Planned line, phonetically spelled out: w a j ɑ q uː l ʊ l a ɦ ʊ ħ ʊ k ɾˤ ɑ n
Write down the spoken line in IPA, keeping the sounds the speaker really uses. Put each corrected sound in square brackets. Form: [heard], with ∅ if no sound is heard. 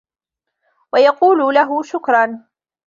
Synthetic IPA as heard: w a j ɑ q uː l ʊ l a ɦ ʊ [ʃ] ʊ k ɾˤ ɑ n